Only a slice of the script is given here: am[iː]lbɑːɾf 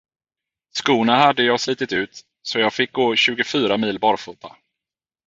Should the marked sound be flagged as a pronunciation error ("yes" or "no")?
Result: no